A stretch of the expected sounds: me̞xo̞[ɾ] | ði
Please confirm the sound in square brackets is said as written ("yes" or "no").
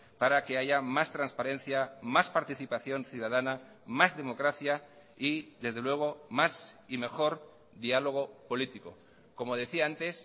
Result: yes